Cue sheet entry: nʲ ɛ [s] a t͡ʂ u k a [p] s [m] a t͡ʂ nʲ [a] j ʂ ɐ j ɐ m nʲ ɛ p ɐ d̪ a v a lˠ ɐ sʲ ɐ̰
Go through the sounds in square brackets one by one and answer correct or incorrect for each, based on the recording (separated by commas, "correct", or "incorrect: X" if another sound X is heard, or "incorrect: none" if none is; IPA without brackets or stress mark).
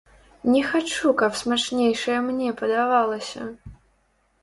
incorrect: x, correct, correct, incorrect: e